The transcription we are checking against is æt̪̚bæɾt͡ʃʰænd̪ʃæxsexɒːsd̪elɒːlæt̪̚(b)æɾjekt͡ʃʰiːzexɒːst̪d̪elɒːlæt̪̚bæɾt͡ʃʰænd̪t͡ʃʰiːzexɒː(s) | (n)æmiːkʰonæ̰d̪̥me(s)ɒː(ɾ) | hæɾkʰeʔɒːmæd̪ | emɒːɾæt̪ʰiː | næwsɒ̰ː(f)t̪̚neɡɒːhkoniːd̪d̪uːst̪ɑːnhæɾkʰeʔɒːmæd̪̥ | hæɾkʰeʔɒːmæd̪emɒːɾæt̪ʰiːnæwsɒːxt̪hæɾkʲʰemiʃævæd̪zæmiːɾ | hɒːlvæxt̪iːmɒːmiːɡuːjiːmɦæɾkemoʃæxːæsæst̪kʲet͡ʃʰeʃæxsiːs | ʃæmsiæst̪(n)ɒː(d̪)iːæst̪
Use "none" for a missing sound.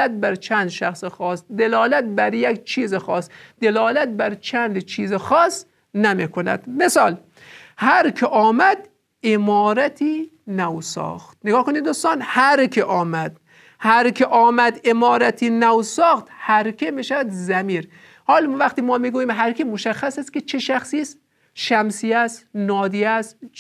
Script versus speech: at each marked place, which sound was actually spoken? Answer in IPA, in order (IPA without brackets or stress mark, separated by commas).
b, s, n, s, l, x, n, d̪